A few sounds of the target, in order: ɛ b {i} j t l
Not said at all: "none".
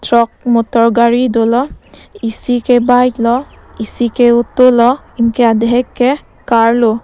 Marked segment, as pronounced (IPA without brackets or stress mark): a